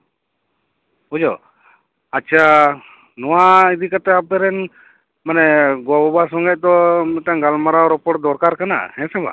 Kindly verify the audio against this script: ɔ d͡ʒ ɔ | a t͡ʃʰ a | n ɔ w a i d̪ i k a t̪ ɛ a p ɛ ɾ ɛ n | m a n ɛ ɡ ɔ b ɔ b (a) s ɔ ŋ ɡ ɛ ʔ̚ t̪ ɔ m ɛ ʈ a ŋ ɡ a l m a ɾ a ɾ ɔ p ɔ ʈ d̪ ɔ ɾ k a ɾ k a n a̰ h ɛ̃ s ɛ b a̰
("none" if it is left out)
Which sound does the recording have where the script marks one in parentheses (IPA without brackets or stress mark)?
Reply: a